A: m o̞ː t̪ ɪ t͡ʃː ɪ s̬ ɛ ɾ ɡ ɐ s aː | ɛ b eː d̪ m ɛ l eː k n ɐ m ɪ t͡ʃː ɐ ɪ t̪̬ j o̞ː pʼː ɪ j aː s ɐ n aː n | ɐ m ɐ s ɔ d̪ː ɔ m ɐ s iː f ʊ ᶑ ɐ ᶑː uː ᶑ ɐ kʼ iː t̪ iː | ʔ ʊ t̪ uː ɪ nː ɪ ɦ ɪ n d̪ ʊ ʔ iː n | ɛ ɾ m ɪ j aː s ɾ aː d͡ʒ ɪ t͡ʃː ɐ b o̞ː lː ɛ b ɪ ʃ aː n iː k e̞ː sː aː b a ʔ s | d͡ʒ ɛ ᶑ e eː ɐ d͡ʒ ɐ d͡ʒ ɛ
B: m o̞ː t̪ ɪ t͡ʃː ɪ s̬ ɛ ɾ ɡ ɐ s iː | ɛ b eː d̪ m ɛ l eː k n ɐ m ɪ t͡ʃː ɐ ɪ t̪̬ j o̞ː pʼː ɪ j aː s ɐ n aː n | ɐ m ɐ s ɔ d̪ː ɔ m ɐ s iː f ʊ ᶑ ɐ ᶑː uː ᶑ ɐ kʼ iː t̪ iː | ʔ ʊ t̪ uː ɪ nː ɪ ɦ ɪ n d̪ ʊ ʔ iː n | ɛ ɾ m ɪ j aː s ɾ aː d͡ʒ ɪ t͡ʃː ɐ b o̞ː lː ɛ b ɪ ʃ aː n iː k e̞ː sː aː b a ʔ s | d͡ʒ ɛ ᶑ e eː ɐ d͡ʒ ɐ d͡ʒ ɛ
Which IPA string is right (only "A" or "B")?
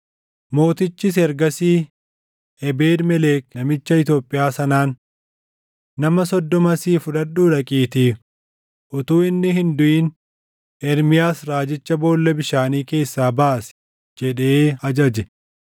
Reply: B